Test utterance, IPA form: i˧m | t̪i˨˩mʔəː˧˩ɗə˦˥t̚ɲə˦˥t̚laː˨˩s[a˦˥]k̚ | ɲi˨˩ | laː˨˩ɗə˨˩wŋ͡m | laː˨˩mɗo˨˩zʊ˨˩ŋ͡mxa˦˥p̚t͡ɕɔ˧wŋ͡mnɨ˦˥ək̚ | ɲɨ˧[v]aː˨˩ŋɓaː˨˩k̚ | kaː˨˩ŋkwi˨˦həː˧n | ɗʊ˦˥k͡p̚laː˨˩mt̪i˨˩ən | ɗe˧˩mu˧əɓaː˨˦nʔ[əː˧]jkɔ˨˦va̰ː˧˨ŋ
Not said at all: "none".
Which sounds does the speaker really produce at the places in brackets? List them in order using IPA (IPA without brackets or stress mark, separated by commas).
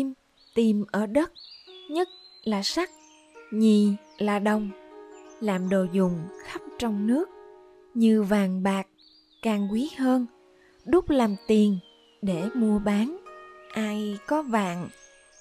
a˦˥, v, aː˧